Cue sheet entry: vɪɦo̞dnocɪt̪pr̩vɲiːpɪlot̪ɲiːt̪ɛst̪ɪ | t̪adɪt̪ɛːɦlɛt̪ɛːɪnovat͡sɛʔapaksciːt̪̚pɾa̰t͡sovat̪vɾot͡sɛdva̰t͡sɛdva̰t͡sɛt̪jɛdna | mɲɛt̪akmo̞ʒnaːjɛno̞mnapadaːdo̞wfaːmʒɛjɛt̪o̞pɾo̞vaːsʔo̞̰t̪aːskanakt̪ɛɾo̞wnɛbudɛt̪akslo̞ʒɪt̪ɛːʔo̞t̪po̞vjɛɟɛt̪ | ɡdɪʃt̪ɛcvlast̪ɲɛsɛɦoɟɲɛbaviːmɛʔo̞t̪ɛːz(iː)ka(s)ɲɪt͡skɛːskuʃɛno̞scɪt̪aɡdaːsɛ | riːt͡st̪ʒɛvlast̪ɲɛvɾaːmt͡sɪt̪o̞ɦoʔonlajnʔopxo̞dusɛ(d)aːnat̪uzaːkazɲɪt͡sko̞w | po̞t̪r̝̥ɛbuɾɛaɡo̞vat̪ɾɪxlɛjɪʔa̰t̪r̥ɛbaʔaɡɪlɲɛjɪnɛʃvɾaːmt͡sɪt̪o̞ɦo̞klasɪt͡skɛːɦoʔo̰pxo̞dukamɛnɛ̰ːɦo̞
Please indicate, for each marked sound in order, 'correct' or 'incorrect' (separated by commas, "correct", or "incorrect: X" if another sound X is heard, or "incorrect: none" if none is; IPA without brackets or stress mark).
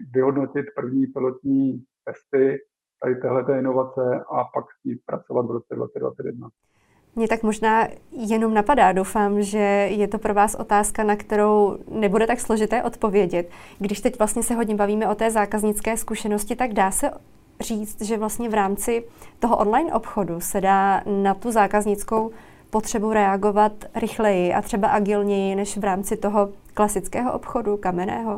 incorrect: aː, incorrect: z, correct